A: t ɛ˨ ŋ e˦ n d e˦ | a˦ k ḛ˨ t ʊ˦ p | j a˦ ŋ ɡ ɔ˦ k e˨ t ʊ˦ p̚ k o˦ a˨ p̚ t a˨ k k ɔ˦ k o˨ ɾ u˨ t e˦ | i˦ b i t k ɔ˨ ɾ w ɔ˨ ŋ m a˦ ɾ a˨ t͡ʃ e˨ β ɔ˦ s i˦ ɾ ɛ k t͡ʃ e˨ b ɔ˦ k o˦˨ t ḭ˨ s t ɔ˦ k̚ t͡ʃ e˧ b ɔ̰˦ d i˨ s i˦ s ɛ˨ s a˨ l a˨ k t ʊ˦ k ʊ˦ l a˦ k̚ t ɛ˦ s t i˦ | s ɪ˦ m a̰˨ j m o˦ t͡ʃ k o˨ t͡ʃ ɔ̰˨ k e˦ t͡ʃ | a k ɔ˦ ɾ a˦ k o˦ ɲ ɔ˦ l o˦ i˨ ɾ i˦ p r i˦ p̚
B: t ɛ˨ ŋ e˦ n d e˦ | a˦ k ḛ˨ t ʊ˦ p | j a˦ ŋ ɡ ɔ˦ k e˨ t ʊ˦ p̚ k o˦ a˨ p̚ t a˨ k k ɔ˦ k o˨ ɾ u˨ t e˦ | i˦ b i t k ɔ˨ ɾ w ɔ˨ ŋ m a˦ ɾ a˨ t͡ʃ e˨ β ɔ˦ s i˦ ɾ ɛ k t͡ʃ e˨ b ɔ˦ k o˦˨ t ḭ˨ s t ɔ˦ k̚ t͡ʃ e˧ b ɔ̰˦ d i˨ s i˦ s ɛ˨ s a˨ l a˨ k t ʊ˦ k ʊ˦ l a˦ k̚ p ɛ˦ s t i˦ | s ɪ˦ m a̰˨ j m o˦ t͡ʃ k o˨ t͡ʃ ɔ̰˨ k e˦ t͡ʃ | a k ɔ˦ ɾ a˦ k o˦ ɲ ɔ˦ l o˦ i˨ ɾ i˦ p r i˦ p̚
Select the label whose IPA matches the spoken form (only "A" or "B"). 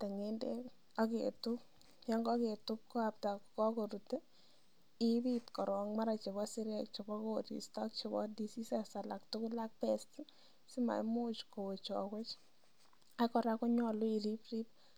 B